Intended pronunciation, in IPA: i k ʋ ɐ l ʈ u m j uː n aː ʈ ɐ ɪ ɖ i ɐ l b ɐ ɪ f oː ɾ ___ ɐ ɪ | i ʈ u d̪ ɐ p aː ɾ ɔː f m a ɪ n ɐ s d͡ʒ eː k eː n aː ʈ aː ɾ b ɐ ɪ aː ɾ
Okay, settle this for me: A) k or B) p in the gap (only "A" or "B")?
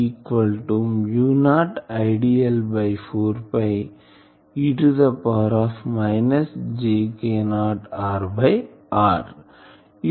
B